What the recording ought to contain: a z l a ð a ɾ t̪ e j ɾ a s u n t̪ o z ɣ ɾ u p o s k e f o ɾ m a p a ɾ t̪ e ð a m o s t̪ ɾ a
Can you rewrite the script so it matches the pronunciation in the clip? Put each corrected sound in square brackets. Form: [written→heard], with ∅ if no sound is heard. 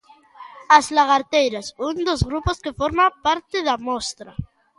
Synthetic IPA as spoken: a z l a [ð→ɣ] a ɾ t̪ e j ɾ a s u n [t̪→d̪] o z ɣ ɾ u p o s k e f o ɾ m a p a ɾ t̪ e ð a m o s t̪ ɾ a